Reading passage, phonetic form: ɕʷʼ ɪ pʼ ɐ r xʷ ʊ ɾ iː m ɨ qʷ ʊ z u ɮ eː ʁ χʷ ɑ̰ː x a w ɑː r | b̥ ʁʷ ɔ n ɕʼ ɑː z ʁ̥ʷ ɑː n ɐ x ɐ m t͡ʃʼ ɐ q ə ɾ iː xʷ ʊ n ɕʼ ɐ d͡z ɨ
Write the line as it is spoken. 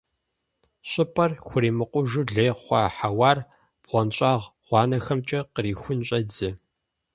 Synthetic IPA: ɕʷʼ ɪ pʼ ɐ r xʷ ʊ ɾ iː m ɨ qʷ ʊ ʒ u ɮ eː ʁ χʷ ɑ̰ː ħ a w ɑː r | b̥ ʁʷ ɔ n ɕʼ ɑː ʁ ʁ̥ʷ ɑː n ɐ x ɐ m t͡ʃʼ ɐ q ə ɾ iː xʷ ʊ n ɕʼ ɐ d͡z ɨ